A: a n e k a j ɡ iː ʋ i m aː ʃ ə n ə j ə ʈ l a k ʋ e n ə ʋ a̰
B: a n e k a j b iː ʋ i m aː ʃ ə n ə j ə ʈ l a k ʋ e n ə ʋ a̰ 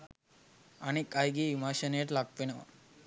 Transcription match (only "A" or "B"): A